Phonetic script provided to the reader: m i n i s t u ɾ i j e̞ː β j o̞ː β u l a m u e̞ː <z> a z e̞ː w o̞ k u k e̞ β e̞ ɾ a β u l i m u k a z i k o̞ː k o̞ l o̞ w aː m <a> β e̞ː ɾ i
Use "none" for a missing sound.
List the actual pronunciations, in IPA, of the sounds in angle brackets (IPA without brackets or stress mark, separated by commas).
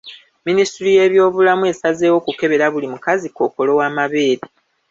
s, a